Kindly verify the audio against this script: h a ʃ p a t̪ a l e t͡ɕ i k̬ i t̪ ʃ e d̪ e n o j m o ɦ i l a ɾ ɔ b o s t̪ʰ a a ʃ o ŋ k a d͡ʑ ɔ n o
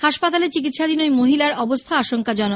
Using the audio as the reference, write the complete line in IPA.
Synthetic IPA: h a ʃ p a t̪ a l e t͡ɕ i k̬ i t̪ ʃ a d̪ i n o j m o ɦ i l a ɾ ɔ b o s t̪ʰ a a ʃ o ŋ k a d͡ʑ ɔ n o